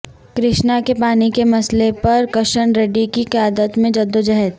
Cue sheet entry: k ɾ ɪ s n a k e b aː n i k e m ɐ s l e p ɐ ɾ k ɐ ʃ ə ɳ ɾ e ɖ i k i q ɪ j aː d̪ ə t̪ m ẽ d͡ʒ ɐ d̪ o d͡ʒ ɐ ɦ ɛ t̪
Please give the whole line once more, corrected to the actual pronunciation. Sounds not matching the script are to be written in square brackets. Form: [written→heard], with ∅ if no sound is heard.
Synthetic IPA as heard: k ɾ ɪ [s→ʃ] n a k e [b→p] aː n i k e m ɐ s l e p ɐ ɾ k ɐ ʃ ə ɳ ɾ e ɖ i k i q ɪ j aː d̪ ə t̪ m ẽ d͡ʒ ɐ d̪ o d͡ʒ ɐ ɦ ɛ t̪